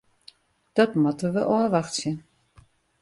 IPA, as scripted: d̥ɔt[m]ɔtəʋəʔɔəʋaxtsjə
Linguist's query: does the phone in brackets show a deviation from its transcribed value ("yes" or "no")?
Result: no